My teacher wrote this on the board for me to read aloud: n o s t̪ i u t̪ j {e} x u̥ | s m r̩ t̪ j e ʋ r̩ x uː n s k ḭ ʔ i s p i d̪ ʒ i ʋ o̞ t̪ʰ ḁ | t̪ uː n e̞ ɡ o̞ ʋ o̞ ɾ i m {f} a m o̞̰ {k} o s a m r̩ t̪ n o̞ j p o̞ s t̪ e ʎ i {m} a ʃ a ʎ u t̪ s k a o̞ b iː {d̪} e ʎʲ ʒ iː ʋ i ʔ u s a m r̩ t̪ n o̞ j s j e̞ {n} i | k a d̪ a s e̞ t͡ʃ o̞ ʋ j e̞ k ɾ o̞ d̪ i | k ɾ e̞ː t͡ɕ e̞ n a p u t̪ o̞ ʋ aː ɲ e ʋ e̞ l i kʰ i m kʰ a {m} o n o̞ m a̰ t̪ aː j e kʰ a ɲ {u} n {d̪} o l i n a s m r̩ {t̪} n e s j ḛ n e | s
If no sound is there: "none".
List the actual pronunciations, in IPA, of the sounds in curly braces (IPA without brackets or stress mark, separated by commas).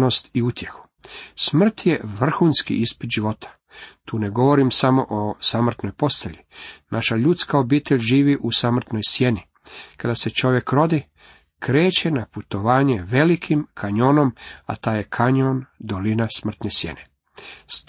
e, s, ʔ, n, t̪, n, ɲ, o, d̪, t̪